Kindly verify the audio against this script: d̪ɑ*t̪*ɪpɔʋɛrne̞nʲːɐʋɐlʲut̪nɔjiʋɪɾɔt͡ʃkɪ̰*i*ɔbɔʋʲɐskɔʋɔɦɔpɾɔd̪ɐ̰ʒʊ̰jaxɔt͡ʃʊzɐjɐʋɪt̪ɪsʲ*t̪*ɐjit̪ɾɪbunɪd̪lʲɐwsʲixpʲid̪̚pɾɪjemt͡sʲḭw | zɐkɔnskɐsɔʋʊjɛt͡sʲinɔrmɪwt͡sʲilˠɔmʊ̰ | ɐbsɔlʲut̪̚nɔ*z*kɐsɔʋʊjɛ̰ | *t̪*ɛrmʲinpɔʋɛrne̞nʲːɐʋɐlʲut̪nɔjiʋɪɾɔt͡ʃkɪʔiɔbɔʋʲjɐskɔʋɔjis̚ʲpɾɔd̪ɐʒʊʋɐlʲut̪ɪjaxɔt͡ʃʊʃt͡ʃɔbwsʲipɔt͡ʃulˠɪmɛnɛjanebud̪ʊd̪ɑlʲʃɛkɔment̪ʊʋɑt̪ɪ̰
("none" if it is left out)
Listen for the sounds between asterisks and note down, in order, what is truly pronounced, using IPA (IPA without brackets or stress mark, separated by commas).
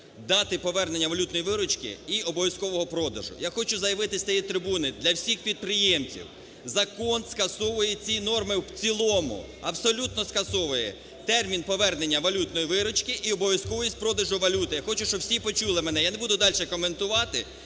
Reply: t̪, i, t̪, s, t̪